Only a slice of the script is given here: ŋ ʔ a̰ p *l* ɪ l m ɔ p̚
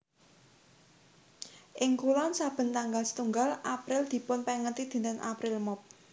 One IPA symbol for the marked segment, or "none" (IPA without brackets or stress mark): ɾ